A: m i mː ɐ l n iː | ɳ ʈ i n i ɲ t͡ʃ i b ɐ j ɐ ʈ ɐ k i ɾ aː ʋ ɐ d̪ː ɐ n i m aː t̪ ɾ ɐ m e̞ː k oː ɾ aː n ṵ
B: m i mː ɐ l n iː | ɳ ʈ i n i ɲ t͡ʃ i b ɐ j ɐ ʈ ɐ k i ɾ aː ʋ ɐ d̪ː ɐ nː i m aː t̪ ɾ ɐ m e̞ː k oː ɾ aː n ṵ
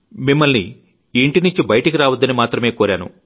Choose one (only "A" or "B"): A